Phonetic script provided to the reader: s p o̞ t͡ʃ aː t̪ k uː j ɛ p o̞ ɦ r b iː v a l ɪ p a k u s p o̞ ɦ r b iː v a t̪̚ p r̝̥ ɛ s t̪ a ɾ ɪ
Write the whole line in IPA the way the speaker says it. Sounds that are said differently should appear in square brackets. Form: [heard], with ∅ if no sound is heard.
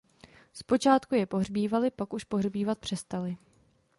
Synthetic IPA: s p o̞ t͡ʃ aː t̪ k [u] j ɛ p o̞ ɦ r b iː v a l ɪ p a k u [ʃ] p o̞ ɦ r b iː v a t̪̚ p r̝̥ ɛ s t̪ a [l] ɪ